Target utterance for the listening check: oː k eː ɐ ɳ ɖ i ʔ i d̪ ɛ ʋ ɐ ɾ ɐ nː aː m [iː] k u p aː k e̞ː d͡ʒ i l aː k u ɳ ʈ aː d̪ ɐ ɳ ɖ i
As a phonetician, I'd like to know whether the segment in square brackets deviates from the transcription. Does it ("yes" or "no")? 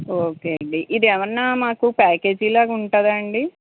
yes